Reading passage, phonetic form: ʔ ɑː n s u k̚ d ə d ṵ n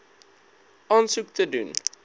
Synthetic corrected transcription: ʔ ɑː n s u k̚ t ə d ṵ n